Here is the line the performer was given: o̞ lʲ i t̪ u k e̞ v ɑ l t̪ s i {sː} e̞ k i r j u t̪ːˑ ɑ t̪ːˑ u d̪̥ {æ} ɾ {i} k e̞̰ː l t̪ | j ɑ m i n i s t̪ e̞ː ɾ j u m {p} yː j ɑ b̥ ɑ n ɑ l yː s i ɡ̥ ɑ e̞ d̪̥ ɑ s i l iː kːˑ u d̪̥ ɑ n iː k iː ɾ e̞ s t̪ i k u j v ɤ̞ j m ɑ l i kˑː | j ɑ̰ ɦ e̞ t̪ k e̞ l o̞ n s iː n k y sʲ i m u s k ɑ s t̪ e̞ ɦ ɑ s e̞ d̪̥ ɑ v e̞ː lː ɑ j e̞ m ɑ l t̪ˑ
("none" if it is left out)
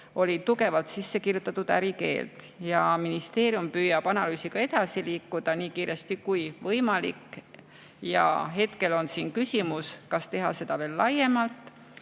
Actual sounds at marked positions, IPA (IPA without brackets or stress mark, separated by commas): sː, æ, i, p